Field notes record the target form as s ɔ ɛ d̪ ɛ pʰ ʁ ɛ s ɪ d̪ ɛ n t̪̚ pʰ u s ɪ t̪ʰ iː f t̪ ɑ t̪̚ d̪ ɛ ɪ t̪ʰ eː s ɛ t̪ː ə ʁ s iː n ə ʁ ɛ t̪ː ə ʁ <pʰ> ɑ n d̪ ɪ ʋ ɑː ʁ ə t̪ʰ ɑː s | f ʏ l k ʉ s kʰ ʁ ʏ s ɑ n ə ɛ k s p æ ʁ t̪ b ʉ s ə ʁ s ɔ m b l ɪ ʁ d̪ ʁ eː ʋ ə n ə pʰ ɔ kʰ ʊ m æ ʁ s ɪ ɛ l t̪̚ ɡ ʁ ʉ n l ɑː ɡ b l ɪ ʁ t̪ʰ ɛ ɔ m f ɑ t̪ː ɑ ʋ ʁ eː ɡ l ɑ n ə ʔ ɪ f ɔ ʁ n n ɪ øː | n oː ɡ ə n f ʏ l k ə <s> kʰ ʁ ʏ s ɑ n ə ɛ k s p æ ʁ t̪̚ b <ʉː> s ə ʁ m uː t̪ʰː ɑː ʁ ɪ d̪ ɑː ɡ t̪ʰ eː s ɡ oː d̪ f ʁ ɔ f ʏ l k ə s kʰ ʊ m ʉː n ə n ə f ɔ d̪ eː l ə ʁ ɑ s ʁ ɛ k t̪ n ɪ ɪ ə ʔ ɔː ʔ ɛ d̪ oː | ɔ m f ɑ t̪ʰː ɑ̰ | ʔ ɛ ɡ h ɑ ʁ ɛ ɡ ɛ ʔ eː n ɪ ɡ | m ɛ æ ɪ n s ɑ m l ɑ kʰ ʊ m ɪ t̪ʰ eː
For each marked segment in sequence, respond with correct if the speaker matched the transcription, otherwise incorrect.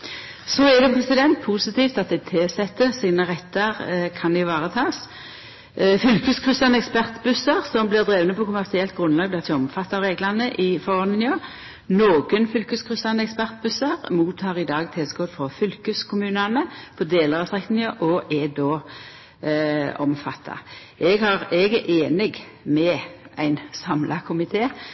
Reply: incorrect, correct, incorrect

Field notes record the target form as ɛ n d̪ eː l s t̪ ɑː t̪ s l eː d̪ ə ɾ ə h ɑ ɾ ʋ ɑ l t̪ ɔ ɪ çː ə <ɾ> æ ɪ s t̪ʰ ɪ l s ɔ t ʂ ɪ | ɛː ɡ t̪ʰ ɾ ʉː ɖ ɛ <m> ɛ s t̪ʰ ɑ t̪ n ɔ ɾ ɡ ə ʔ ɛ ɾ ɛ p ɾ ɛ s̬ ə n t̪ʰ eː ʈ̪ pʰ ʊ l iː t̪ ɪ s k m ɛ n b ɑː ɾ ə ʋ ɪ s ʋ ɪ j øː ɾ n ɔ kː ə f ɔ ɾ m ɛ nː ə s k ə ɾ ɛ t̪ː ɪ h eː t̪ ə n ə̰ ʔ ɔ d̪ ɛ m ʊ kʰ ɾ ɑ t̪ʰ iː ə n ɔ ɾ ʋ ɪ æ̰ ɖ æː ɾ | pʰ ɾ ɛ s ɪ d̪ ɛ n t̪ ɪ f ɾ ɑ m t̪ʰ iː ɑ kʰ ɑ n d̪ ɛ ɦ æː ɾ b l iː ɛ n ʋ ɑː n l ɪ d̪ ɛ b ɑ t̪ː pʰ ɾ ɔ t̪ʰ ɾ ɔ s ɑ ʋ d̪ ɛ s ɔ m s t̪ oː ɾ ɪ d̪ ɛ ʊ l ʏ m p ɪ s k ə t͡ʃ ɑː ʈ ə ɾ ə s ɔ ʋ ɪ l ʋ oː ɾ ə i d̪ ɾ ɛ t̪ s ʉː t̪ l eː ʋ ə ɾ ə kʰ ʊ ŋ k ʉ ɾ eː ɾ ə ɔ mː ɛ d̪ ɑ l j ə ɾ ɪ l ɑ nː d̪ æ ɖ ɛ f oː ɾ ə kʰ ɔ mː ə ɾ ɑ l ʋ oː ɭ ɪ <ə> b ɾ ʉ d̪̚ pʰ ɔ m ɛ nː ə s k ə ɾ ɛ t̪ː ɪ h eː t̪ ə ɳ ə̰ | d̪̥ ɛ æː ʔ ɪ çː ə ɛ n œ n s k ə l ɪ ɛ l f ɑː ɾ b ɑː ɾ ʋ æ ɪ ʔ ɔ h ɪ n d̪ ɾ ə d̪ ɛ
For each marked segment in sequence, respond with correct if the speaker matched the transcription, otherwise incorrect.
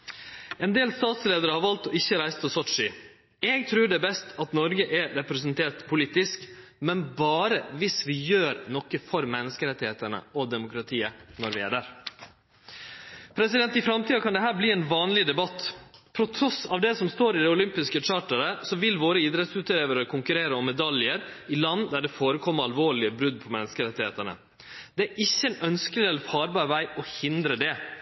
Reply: correct, incorrect, correct

